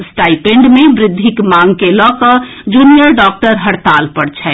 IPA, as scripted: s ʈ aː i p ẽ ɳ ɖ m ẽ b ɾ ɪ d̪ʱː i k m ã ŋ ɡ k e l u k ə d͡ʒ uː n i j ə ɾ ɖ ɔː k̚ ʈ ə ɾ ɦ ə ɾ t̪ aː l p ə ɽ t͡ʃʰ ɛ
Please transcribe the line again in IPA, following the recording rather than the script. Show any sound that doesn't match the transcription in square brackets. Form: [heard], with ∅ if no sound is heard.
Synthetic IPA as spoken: s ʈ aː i p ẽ ɳ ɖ m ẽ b ɾ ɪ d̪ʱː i k m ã ŋ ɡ k e l [ɔ] k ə d͡ʒ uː n i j ə ɾ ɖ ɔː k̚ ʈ ə ɾ ɦ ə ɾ t̪ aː l p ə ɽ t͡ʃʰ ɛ